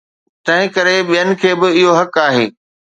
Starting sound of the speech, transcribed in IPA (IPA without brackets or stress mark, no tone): t̪